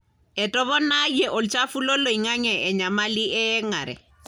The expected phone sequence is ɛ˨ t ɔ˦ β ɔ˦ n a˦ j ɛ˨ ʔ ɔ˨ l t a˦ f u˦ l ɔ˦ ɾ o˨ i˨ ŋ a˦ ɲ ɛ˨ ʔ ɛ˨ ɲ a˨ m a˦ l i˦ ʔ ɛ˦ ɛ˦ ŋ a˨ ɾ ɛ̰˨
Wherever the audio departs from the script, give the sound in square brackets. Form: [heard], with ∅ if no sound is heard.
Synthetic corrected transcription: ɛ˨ t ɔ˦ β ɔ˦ n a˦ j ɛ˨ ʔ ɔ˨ l [t͡ʃ] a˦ f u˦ l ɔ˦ [l] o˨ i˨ ŋ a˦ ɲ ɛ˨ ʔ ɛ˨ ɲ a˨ m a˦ l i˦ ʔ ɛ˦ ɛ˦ ŋ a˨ ɾ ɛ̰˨